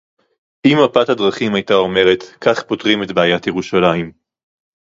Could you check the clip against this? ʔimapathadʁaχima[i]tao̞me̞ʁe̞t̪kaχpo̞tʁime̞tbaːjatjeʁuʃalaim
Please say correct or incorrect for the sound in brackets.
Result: incorrect